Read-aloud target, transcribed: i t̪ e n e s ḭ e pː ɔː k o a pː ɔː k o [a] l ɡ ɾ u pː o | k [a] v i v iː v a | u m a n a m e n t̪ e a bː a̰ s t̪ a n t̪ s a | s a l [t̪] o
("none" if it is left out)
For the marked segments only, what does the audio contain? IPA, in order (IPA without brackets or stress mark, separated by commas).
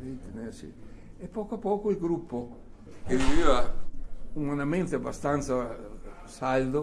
i, e, d̪